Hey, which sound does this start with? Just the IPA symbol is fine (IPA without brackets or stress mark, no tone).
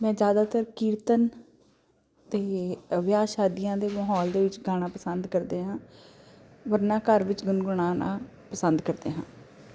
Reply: m